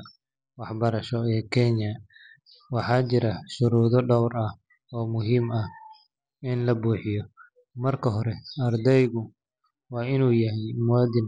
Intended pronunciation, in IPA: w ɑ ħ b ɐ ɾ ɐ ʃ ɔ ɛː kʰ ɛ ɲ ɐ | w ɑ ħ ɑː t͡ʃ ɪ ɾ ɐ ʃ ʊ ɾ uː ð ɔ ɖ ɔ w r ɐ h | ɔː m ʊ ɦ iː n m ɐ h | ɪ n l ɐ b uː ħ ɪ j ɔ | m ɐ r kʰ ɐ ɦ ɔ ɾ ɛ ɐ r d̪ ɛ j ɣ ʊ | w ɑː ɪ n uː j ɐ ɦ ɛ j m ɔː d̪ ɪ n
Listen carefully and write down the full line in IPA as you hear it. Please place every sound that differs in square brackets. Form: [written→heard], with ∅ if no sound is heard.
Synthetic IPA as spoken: w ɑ ħ b ɐ ɾ ɐ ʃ ɔ ɛː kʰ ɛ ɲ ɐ | w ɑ ħ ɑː t͡ʃ ɪ ɾ ɐ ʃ ʊ ɾ uː ð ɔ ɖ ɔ w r ɐ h | ɔː m ʊ ɦ iː [n→∅] m ɐ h | ɪ n l ɐ b uː ħ ɪ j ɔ | m ɐ r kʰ ɐ ɦ ɔ ɾ ɛ ɐ r d̪ ɛ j ɣ ʊ | w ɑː ɪ n uː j ɐ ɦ ɛ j m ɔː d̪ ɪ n